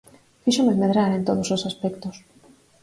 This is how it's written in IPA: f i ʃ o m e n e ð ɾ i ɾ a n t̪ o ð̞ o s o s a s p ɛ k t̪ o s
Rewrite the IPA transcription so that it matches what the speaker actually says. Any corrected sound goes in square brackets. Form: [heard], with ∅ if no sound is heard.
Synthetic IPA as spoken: f i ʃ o m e [m] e ð ɾ [a] ɾ [e] n t̪ o ð̞ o s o s a s p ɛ k t̪ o s